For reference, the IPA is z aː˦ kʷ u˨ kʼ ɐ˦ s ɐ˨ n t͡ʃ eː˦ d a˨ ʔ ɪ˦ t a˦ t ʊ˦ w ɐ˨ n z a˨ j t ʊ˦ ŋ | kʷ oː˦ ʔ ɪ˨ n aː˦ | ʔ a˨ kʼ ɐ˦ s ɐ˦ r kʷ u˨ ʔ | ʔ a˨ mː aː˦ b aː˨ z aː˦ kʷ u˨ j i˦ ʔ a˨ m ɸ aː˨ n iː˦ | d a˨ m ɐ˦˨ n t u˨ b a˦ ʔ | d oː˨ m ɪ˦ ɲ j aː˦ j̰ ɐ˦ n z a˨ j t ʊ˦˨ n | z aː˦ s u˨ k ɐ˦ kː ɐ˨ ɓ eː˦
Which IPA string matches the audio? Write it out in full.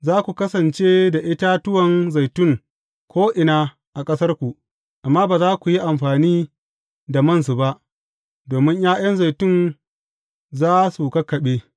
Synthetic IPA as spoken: z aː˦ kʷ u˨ k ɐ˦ s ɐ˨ n t͡ʃ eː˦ d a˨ ʔ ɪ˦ t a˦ t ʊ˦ w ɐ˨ n z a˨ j t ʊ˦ ŋ | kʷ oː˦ ʔ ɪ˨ n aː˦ | ʔ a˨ kʼ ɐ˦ s ɐ˦ r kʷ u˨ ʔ | ʔ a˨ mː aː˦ b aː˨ z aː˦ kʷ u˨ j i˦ ʔ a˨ m ɸ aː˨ n iː˦ | d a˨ m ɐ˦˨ n s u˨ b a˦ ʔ | d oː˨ m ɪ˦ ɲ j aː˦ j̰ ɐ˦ n z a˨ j t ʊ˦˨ n | z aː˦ s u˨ k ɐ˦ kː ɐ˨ ɓ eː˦

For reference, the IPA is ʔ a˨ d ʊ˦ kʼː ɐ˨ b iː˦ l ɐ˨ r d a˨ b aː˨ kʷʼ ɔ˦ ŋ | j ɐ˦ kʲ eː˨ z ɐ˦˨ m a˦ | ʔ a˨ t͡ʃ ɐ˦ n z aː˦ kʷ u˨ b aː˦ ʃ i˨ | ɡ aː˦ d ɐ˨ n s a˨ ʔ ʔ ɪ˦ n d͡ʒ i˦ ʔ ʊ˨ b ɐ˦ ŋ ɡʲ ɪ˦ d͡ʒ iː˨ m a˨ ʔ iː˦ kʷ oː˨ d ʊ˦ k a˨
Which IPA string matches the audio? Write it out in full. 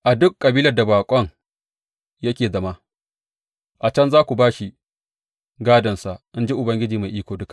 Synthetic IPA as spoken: ʔ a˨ d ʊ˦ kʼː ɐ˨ b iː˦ l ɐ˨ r d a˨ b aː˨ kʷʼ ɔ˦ ŋ | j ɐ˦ kʲ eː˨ z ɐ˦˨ m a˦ | ʔ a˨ t͡ʃ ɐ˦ n z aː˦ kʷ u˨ b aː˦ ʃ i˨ | ɡ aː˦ d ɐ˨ n s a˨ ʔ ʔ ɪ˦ n d͡ʒ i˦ ʔ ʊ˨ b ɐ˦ ŋ ɡʲ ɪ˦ d͡ʒ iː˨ m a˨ ʔ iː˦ kʷ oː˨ d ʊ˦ k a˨

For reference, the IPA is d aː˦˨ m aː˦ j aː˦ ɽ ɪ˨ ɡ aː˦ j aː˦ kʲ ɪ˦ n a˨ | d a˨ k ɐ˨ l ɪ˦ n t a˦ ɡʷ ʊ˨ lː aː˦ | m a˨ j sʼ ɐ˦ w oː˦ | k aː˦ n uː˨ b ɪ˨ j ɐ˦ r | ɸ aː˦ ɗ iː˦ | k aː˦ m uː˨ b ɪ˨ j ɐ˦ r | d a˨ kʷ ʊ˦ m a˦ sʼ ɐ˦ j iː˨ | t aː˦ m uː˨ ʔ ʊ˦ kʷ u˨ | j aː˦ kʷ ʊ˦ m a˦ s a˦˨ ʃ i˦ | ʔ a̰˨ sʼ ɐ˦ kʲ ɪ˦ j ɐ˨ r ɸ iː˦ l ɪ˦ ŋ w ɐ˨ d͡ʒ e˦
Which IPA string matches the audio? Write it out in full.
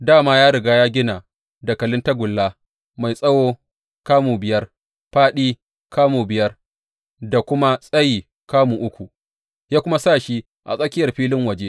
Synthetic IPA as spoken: d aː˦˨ m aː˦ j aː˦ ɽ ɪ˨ ɡ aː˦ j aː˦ ɡʲ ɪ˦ n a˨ | d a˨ k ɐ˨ l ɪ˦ n t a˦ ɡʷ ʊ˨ lː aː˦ | m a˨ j sʼ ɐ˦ w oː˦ | k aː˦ m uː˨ b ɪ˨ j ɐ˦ r | ɸ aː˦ ɗ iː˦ | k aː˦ m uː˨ b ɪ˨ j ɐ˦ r | d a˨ kʷ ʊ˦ m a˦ sʼ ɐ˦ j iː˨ | k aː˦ m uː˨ ʔ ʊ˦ kʷ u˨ | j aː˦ kʷ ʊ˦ m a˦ s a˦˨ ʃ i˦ | ʔ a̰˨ sʼ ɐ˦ kʲ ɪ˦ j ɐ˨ r ɸ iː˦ l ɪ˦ ŋ w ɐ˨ d͡ʒ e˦

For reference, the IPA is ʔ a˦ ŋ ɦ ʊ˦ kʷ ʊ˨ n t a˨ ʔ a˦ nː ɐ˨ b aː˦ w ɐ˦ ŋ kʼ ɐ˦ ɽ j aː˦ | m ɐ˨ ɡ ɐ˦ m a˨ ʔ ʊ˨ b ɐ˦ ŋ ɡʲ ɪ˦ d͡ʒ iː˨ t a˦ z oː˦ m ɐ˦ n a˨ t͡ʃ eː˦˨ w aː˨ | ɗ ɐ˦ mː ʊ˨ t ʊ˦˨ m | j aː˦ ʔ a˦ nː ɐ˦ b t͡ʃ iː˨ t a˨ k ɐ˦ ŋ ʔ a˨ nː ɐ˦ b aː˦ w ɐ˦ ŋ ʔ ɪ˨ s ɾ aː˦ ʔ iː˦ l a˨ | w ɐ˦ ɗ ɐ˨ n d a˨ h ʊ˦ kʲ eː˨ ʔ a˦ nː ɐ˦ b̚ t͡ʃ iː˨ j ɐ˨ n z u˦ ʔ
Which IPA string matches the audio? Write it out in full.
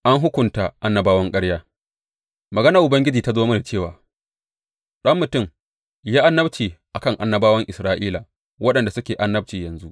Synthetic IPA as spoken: ʔ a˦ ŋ ɦ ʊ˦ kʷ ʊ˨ n t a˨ ʔ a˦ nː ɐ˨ b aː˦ w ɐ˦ ŋ kʼ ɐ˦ ɽ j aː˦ | m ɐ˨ ɡ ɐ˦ n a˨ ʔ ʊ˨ b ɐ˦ ŋ ɡʲ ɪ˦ d͡ʒ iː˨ t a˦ z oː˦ m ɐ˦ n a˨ t͡ʃ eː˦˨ w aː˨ | ɗ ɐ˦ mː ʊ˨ t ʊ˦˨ m | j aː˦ ʔ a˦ nː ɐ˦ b t͡ʃ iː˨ ʔ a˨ k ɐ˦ ŋ ʔ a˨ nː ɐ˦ b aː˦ w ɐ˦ ŋ ʔ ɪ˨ s ɾ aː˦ ʔ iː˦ l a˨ | w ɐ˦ ɗ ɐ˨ n d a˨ s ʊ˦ kʲ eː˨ ʔ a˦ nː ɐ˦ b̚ t͡ʃ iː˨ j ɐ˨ n z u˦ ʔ

